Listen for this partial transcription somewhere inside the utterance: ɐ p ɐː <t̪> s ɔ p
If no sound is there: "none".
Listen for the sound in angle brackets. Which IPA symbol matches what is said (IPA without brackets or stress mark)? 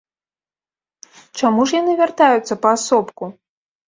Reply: none